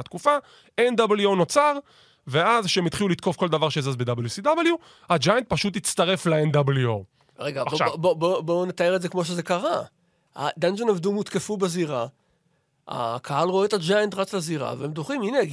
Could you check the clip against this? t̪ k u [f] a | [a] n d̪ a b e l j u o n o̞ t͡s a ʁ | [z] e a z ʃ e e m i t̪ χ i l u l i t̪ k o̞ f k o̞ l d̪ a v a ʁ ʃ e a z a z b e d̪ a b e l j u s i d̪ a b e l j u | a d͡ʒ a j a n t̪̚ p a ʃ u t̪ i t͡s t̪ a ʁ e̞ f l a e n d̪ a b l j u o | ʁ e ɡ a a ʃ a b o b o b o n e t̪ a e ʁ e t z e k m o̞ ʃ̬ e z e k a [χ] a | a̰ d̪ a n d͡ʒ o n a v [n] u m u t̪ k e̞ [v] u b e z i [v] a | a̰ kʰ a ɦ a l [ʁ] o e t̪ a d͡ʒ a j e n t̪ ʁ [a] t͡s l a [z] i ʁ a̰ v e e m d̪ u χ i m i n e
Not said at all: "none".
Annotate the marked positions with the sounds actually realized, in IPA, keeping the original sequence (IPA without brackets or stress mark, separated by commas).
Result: f, e, v, ʁ, d, f, ʁ, ʁ, a, z